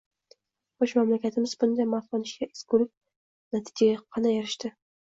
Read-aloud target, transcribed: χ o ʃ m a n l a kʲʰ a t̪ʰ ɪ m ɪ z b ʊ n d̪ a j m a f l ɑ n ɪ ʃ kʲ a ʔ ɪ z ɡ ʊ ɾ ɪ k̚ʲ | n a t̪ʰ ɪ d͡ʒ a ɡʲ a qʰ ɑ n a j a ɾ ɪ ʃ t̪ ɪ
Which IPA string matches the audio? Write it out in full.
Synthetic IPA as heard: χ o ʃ m a m l a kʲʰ a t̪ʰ ɪ m ɪ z b ʊ n d̪ a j m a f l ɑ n ɪ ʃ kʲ a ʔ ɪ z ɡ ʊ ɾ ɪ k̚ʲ | n a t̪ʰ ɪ d͡ʒ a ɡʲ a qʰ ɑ n a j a ɾ ɪ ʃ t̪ ɪ